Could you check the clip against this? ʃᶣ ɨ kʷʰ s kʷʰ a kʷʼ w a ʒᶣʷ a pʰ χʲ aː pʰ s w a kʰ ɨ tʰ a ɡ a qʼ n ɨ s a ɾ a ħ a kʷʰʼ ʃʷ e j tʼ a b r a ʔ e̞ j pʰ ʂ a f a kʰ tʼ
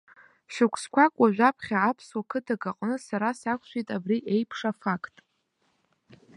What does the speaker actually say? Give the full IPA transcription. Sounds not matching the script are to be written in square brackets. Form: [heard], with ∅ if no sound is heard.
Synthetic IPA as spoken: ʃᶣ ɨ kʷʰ s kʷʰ a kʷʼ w a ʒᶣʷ a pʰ χʲ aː pʰ s w a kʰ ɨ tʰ a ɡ a qʼ n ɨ s a ɾ a [s] a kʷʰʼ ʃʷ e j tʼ a b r [i] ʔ e̞ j pʰ ʂ a f a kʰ tʼ